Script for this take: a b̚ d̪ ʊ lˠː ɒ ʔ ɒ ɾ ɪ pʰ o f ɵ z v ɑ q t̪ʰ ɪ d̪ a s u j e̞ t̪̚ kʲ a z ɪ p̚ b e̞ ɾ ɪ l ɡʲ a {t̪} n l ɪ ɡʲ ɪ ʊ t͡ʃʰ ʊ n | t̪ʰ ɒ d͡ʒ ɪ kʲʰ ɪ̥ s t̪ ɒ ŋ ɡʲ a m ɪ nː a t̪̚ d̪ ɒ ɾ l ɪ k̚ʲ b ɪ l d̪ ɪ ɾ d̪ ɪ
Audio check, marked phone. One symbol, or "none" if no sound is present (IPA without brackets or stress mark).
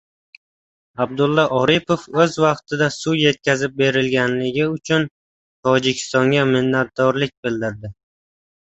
none